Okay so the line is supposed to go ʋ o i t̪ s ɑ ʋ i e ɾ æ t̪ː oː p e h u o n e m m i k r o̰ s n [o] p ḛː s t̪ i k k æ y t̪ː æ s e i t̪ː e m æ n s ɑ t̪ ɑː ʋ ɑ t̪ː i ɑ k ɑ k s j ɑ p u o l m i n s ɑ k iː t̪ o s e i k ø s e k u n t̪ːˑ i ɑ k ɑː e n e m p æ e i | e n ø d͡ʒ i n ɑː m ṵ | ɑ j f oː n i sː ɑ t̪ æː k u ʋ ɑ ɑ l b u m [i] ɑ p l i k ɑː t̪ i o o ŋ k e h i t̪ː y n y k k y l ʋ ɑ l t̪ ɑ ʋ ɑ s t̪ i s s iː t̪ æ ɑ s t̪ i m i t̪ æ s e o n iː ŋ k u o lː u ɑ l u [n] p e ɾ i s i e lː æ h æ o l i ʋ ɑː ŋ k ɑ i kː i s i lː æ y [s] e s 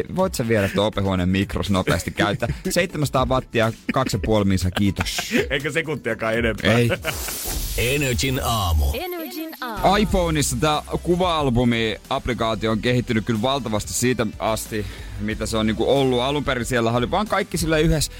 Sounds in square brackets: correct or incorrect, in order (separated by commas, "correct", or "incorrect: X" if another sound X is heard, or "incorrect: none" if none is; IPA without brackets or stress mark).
correct, correct, incorrect: m, incorrect: h